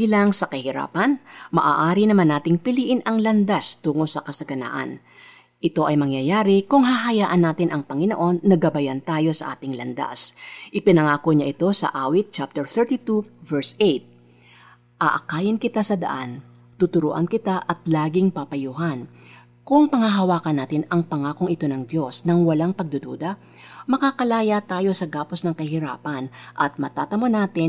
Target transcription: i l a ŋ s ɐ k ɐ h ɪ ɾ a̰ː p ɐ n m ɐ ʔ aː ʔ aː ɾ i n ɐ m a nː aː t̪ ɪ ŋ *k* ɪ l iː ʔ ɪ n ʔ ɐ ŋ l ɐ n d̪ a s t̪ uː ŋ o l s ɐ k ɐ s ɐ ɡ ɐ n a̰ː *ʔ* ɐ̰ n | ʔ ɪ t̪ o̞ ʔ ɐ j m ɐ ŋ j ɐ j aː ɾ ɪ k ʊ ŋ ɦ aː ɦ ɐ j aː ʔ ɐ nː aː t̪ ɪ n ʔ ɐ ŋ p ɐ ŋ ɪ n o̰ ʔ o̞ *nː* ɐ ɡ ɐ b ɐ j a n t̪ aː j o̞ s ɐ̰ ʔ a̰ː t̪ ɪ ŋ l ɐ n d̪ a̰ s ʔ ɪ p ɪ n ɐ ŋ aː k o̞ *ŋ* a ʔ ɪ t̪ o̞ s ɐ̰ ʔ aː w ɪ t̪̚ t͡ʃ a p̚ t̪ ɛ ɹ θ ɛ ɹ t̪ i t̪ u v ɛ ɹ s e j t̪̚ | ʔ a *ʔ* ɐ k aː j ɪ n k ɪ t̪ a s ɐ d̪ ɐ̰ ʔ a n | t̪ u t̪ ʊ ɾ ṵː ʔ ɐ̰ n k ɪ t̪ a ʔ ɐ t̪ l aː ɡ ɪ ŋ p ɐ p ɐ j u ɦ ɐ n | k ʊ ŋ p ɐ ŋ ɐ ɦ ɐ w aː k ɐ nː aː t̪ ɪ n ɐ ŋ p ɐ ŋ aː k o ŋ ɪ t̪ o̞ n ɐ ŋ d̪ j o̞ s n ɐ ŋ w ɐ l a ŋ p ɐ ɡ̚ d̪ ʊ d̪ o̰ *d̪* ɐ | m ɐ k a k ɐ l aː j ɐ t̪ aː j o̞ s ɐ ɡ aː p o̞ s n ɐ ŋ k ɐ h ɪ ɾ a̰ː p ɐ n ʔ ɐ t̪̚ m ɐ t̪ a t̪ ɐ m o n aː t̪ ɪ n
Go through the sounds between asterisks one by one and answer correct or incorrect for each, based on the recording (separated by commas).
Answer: incorrect, correct, correct, incorrect, correct, correct